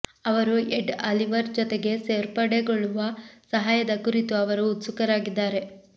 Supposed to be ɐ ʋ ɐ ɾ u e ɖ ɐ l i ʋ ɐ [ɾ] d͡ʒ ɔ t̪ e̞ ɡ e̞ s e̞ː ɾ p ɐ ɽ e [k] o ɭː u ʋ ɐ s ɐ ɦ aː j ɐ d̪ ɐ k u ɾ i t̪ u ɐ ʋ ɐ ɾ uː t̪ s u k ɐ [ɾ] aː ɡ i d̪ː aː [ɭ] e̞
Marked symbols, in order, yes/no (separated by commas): yes, no, yes, no